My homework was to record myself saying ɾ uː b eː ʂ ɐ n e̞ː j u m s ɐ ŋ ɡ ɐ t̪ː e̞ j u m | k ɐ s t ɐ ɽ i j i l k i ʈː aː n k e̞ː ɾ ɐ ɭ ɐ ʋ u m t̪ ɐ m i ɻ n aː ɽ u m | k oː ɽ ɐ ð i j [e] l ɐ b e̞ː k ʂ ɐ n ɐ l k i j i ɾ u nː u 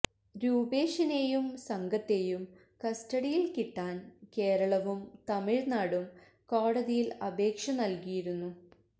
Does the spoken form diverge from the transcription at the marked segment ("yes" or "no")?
yes